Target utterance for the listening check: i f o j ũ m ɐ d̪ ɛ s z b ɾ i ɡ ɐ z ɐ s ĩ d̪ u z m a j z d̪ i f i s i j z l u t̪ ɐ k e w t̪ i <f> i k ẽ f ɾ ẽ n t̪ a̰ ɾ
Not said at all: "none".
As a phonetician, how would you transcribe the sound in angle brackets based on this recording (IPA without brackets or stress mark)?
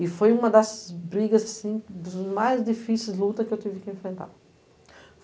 v